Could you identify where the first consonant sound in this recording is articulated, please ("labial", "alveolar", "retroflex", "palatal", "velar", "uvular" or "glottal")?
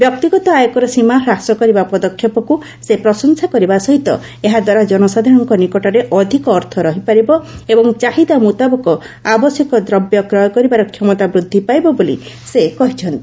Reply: labial